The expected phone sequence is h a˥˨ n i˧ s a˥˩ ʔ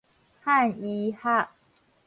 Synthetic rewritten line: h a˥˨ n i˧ h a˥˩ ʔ